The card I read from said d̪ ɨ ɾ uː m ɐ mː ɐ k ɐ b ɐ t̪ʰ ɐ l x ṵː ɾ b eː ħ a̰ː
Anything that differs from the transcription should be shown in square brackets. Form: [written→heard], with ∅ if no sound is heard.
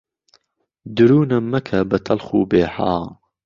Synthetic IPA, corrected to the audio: d̪ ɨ ɾ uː [m→n] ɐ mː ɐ [k→kʰ] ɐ b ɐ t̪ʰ ɐ l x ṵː [ɾ→∅] b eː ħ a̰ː